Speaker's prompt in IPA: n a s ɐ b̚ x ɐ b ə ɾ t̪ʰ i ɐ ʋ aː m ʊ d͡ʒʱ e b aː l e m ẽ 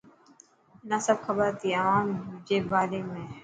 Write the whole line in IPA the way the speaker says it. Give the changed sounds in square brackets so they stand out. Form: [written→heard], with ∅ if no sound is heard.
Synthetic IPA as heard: n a s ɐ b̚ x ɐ b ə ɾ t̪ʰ i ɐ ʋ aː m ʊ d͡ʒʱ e b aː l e m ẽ